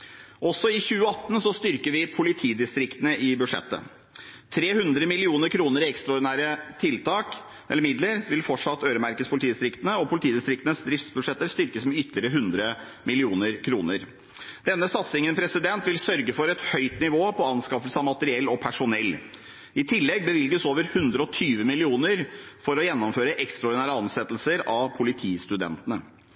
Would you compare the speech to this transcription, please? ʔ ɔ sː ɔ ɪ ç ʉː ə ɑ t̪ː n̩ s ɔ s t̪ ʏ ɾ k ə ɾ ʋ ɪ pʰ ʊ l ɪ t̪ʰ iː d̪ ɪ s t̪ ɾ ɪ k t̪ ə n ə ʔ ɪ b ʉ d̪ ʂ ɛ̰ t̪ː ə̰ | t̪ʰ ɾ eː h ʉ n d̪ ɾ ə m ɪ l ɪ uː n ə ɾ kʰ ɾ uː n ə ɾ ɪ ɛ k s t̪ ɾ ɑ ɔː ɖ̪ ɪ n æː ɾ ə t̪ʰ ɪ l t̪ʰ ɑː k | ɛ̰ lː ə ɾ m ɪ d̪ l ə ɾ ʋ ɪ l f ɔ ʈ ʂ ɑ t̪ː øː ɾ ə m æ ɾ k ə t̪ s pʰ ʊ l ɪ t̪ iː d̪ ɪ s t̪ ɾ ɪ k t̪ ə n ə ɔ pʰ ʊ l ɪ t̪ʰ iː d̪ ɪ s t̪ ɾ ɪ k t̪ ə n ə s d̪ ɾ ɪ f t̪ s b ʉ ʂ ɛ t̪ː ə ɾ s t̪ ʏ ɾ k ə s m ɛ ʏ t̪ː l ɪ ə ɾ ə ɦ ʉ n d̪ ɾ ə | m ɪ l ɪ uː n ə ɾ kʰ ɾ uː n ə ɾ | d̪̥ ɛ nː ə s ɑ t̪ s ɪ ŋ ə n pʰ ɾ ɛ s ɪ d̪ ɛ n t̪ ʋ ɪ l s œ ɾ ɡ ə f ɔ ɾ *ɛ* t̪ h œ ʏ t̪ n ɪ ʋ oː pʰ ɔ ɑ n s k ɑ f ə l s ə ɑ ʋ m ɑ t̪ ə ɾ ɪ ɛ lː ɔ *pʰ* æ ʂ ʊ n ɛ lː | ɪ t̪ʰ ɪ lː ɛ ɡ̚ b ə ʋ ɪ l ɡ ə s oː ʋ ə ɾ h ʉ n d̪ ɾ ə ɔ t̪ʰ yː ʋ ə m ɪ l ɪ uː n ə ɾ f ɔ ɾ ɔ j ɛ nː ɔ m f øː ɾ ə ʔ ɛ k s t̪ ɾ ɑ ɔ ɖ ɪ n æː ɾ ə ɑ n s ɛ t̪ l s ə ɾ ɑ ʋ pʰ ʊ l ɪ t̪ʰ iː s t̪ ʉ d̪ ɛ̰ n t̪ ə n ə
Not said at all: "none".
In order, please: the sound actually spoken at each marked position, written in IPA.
ɛ, pʰ

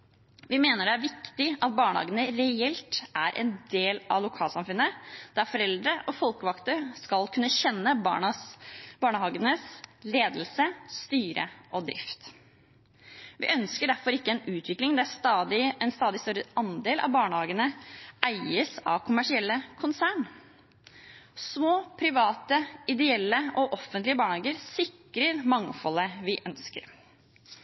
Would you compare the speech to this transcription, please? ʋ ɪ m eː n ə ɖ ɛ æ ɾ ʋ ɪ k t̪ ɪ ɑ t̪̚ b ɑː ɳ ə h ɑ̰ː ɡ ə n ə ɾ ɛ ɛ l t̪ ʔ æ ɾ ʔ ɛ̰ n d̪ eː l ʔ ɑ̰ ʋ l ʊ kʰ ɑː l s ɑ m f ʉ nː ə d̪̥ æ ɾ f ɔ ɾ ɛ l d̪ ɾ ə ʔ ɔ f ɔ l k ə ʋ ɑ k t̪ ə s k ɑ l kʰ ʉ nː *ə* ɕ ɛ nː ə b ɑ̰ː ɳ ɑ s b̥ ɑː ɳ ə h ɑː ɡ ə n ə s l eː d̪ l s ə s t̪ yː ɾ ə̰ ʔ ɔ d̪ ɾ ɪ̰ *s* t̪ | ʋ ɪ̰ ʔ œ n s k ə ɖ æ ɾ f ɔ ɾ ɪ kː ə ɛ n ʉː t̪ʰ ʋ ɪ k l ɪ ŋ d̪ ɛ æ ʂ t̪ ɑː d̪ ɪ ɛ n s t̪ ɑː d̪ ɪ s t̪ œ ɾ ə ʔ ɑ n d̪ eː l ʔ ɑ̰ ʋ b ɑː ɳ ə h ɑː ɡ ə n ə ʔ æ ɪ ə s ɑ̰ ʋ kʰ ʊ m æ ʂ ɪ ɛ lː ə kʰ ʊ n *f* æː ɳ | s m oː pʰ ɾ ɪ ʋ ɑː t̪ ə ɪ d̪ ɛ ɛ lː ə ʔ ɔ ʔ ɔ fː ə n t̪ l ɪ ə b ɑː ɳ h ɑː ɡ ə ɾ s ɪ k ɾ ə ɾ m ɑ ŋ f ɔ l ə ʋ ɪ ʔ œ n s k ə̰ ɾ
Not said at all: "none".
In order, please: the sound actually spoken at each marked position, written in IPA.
ə, f, s

